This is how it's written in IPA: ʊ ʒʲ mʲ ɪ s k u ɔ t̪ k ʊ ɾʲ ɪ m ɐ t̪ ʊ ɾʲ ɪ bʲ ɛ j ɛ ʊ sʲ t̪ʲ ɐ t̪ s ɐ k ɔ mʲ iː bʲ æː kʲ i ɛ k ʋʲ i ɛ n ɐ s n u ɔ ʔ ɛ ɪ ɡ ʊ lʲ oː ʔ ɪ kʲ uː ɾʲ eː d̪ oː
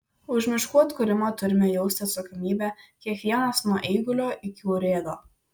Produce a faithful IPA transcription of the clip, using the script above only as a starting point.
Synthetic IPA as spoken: ʊ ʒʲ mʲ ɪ ʃ k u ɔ t̪ k ʊ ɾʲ ɪ m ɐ t̪ ʊ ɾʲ ɪ mʲ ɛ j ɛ ʊ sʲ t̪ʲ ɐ t̪ s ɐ k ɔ mʲ iː bʲ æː kʲ i ɛ k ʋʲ i ɛ n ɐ s n u ɔ ʔ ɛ ɪ ɡ ʊ lʲ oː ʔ ɪ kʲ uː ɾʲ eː d̪ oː